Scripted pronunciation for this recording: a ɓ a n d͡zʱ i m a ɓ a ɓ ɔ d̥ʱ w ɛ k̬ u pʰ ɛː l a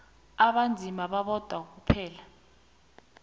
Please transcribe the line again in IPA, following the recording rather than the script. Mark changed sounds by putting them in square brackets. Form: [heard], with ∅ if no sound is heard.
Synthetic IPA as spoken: a ɓ a n d͡zʱ i m a ɓ a ɓ ɔ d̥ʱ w [a] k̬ u pʰ ɛː l a